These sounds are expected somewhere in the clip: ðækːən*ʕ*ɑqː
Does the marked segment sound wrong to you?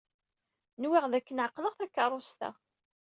no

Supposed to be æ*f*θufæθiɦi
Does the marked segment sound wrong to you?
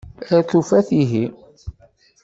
yes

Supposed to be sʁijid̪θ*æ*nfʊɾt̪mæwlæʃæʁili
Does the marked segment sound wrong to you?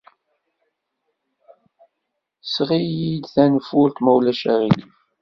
no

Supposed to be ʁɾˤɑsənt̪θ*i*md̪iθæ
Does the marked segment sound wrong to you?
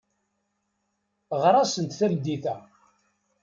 yes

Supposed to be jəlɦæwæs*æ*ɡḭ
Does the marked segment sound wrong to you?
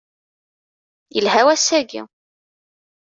no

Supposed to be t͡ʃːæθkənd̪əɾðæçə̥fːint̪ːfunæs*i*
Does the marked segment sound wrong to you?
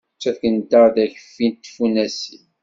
no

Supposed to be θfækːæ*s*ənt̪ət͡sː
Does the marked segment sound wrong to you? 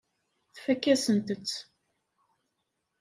no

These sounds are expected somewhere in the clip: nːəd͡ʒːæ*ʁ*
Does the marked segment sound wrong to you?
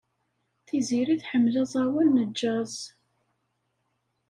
yes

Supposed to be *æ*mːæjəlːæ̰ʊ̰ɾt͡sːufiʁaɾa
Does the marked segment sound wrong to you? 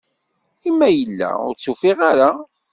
yes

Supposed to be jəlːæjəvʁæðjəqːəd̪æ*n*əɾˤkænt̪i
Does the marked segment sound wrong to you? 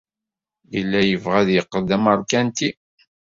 yes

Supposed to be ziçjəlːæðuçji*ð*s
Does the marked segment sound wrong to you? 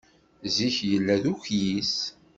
yes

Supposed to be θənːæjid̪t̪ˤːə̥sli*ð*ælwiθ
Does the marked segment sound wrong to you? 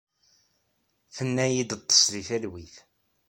yes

